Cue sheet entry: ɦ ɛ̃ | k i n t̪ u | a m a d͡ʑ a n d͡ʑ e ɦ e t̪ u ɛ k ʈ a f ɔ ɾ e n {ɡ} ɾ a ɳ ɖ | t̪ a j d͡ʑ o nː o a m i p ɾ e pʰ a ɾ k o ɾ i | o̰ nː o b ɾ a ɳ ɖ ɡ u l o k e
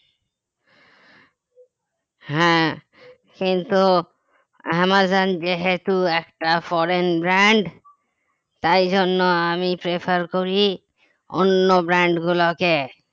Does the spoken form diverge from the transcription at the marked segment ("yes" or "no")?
yes